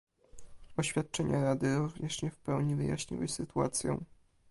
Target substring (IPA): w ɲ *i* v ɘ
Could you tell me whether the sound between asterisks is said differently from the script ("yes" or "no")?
no